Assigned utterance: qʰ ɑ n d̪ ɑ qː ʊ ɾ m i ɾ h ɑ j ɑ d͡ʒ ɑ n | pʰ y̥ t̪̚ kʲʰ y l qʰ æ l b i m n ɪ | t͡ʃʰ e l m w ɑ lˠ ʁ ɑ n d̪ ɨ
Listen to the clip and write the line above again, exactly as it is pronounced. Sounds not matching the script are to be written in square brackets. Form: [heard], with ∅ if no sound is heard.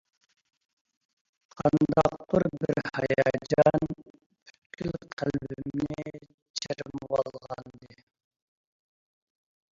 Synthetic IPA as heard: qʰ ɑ n d̪ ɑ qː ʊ ɾ [b] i ɾ h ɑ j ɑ d͡ʒ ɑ n | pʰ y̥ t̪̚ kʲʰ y l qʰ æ l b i m n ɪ | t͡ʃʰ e [ɾ] m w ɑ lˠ ʁ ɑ n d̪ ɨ